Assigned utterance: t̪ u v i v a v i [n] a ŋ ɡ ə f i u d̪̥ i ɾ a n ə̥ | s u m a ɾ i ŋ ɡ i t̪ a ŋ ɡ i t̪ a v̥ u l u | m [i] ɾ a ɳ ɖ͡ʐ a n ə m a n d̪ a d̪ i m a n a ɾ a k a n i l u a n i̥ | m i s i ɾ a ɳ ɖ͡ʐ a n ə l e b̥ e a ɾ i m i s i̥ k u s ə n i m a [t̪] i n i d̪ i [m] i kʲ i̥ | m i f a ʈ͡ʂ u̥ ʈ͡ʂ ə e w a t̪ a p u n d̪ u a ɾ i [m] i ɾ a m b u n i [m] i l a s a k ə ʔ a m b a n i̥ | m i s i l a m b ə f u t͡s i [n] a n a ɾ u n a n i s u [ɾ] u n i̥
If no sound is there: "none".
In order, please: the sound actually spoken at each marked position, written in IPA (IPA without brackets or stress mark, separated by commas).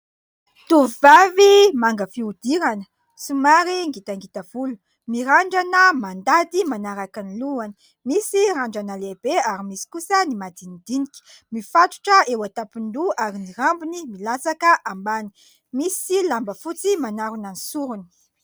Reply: m, i, d̪, n, n, m, m, ɾ